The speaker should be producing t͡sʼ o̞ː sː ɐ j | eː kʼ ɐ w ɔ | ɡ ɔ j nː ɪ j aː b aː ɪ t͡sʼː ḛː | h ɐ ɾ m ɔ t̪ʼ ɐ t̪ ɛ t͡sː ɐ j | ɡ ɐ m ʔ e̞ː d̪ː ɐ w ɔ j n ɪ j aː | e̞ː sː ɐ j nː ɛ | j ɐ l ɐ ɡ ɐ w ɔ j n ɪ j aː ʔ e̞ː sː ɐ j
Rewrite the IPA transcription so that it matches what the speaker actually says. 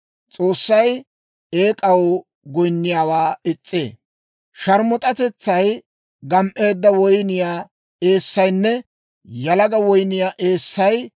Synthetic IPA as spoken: t͡sʼ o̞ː sː ɐ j | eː kʼ ɐ w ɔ | ɡ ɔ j nː ɪ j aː w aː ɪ t͡sʼː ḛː | ʃ ɐ ɾ m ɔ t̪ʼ ɐ t̪ ɛ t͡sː ɐ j | ɡ ɐ m ʔ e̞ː d̪ː ɐ w ɔ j n ɪ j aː | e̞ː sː ɐ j nː ɛ | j ɐ l ɐ ɡ ɐ w ɔ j n ɪ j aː ʔ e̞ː sː ɐ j

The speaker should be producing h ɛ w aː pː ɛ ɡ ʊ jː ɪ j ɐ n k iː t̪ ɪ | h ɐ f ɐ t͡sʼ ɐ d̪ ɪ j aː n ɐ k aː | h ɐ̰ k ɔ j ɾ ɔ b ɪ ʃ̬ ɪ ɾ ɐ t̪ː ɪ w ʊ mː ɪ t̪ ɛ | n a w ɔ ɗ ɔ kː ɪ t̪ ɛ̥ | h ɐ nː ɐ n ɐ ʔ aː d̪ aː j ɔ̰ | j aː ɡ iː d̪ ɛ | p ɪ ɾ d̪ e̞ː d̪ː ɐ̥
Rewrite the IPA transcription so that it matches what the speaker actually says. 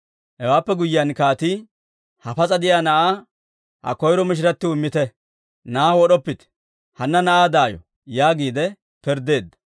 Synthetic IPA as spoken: h ɛ w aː pː ɛ ɡ ʊ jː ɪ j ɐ n k aː t̪ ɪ | h ɐ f ɐ t͡sʼ ɐ d̪ ɪ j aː n ɐ ʔ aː | h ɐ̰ k ɔ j ɾ ɔ m ɪ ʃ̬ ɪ ɾ ɐ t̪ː ɪ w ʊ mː ɪ t̪ ɛ | n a w ɔ ɗ ɔ pː ɪ t̪ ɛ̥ | h ɐ nː ɐ n ɐ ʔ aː d̪ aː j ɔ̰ | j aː ɡ iː d̪ ɛ | p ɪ ɾ d̪ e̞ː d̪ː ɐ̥

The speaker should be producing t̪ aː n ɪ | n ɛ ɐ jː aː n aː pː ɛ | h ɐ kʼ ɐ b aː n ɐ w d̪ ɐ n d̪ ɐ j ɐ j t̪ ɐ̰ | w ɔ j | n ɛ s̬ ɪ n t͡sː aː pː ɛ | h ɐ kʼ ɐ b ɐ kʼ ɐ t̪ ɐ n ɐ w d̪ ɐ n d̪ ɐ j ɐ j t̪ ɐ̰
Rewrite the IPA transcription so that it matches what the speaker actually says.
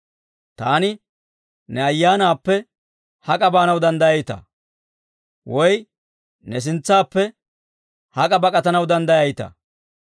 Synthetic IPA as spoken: t̪ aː n ɪ | n ɛ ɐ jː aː n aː pː ɛ | h ɐ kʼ ɐ b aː n ɐ w d̪ ɐ n d̪ ɐ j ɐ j t̪ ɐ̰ | w ɔ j | n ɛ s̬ ɪ n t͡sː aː pː ɛ | h ɐ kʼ ɐ b ɐ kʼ ɐ t̪ ɐ n ɐ w d̪ ɐ n d̪ ɐ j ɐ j t̪ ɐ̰

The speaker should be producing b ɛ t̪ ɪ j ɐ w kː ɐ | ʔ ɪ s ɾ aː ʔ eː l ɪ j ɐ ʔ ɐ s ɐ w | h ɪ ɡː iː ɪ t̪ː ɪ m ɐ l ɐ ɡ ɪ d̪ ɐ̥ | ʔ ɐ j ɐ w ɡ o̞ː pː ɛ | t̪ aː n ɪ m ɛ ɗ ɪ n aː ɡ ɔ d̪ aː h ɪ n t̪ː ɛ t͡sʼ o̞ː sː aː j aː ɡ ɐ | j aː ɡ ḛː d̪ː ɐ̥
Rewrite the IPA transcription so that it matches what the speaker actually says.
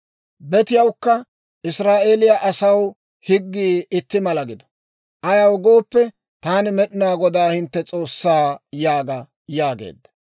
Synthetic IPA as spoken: b ɛ t̪ ɪ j ɐ w kː ɐ | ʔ ɪ s ɾ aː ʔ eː l ɪ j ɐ ʔ ɐ s ɐ w | h ɪ ɡː iː ɪ t̪ː ɪ m ɐ l ɐ ɡ ɪ d̪ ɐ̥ | ʔ ɐ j ɐ w ɡ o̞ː pː ɛ | t̪ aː n ɪ m ɛ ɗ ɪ n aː ɡ ɔ d̪ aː h ɪ n t̪ː ɛ t͡sʼ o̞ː sː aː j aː ɡ ɐ | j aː ɡ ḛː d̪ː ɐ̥

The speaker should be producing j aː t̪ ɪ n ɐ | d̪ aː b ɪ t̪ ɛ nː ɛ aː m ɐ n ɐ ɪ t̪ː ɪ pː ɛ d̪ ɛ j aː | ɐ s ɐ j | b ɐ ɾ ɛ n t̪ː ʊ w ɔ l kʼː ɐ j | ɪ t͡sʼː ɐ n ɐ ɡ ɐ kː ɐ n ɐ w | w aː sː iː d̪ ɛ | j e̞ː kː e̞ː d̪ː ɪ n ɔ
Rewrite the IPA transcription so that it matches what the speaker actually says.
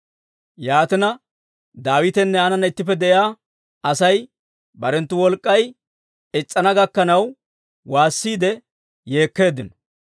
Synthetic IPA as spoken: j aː t̪ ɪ n ɐ | d̪ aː w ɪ t̪ ɛ nː ɛ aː n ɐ n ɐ ɪ t̪ː ɪ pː ɛ d̪ ɛ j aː | ɐ s ɐ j | b ɐ ɾ ɛ n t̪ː ʊ w ɔ l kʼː ɐ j | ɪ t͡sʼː ɐ n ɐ ɡ ɐ kː ɐ n ɐ w | w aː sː iː d̪ ɛ | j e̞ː kː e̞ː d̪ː ɪ n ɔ

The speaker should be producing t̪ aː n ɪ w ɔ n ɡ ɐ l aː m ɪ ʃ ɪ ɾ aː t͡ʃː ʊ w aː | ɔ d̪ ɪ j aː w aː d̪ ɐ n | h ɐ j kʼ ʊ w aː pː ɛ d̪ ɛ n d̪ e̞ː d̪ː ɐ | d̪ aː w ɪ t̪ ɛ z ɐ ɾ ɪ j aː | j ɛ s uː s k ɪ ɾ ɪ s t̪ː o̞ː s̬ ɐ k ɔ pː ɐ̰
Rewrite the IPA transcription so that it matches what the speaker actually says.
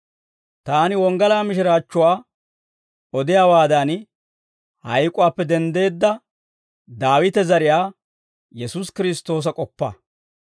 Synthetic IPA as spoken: t̪ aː n ɪ w ɔ ŋ ɡ ɐ l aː m ɪ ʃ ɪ ɾ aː t͡ʃː ʊ w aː | ɔ d̪ ɪ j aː w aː d̪ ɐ n | h ɐ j kʼ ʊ w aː pː ɛ d̪ ɛ n d̪ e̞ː d̪ː ɐ | d̪ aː w ɪ t̪ ɛ z ɐ ɾ ɪ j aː | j ɛ s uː s k ɪ ɾ ɪ s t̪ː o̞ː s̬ ɐ kʼ ɔ pː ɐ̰

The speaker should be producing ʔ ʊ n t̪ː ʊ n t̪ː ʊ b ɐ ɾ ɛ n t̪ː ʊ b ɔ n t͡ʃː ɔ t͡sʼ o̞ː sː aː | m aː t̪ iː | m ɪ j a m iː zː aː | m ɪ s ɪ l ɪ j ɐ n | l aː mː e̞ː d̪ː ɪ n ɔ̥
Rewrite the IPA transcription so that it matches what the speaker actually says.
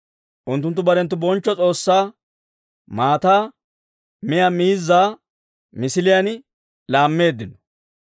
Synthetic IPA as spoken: ʔ ʊ n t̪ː ʊ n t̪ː ʊ b ɐ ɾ ɛ n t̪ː ʊ b ɔ n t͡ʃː ɔ t͡sʼ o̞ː sː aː | m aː t̪ aː | m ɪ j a m iː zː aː | m ɪ s ɪ l ɪ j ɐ n | l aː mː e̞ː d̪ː ɪ n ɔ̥

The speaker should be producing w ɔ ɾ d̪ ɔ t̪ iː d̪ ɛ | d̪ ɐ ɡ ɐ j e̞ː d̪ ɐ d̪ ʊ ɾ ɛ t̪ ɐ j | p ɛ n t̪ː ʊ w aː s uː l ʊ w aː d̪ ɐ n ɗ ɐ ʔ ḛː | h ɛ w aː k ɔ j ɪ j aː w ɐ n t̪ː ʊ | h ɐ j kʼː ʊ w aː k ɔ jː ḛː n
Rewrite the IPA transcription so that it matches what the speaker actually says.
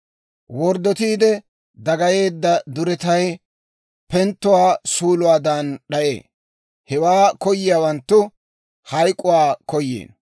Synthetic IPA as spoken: w ɔ ɾ d̪ ɔ t̪ iː d̪ ɛ | d̪ ɐ ɡ ɐ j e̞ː d̪ː ɐ d̪ ʊ ɾ ɛ t̪ ɐ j | p ɛ n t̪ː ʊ w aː s uː l ʊ w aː d̪ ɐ n ɗ ɐ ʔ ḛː | h ɛ w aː k ɔ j ɪ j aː w ɐ n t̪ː ʊ | h ɐ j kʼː ʊ w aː k ɔ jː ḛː n

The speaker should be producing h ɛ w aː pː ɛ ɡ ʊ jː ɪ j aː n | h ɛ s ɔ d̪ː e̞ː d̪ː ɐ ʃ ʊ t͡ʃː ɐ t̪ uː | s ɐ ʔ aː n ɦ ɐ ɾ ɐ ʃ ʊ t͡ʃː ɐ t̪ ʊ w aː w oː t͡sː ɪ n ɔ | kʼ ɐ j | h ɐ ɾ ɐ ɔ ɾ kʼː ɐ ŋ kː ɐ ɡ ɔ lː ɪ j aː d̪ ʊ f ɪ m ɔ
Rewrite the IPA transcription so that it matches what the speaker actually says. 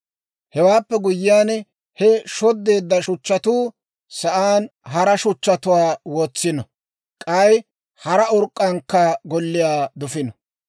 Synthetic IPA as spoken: h ɛ w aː pː ɛ ɡ ʊ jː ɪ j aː n | h ɛ ʃ ɔ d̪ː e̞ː d̪ː ɐ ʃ ʊ t͡ʃː ɐ t̪ uː | s ɐ ʔ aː n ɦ ɐ ɾ ɐ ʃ ʊ t͡ʃː ɐ t̪ ʊ w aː w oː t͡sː ɪ n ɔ | kʼ ɐ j | h ɐ ɾ ɐ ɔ ɾ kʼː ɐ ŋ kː ɐ ɡ ɔ lː ɪ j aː d̪ ʊ f ɪ n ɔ

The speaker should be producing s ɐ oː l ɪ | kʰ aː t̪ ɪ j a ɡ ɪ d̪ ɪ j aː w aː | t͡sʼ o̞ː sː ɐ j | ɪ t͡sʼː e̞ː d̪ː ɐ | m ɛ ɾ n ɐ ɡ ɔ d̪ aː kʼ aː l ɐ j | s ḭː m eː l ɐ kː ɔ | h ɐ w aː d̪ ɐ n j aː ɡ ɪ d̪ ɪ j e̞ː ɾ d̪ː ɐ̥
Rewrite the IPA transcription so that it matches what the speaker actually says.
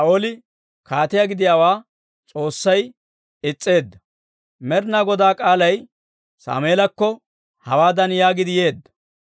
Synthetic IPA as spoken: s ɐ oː l ɪ | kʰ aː t̪ ɪ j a ɡ ɪ d̪ ɪ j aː w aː | t͡sʼ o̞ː sː ɐ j | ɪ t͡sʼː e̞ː d̪ː ɐ | m ɛ ɾ n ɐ ɡ ɔ d̪ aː kʼ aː l ɐ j | s a̰ː m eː l ɐ kː ɔ | h ɐ w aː d̪ ɐ n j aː ɡ ɪ d̪ ɪ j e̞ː d̪ː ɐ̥

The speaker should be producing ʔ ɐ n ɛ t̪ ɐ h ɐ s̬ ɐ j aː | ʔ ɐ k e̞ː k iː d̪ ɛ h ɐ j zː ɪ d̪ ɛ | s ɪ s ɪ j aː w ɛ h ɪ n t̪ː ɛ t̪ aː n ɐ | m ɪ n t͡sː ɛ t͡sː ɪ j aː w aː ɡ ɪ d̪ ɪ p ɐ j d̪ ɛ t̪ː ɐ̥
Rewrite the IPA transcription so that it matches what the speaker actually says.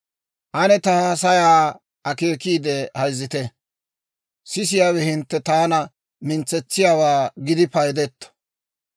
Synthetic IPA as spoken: ʔ ɐ n ɛ t̪ ɐ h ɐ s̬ ɐ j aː | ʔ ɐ k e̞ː k iː d̪ ɛ h ɐ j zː ɪ t̪ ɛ | s ɪ s ɪ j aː w ɛ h ɪ n t̪ː ɛ t̪ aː n ɐ | m ɪ n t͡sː ɛ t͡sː ɪ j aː w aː ɡ ɪ d̪ ɪ p ɐ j d̪ ɛ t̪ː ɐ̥

